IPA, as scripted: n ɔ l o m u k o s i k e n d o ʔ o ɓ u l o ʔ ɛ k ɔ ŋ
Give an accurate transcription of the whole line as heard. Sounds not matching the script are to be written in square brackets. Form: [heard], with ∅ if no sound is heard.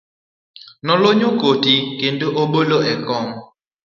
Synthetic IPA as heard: n ɔ l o [ɲ] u k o [t] i k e n d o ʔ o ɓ [o] l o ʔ ɛ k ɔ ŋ